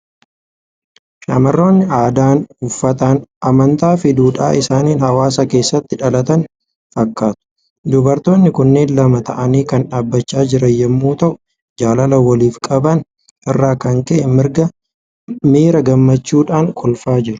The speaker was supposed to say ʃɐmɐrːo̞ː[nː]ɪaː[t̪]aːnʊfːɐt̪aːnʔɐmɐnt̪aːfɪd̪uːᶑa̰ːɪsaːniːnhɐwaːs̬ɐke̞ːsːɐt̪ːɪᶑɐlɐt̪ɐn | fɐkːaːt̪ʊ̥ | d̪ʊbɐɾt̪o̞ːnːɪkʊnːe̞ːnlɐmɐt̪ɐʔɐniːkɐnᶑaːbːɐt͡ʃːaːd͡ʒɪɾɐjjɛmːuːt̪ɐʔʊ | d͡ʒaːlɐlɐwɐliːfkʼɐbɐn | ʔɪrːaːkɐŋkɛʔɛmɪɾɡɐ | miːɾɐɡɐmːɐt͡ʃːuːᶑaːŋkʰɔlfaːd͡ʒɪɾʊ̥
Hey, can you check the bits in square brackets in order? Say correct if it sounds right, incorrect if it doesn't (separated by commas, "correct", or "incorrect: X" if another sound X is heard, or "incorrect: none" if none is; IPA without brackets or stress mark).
correct, incorrect: d̪